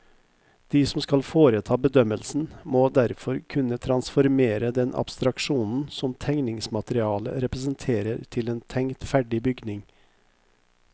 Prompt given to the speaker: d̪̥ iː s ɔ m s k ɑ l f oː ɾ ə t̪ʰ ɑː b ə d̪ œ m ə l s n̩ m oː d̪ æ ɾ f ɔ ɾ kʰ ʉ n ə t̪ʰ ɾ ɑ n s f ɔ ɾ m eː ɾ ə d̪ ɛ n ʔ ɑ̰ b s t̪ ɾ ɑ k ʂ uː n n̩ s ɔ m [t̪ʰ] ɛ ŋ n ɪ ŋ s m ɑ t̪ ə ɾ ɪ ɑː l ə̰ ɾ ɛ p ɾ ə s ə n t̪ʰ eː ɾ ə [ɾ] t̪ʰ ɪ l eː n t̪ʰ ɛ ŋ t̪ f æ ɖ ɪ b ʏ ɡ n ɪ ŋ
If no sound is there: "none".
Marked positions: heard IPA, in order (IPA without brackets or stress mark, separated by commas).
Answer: t̪ʰ, ɾ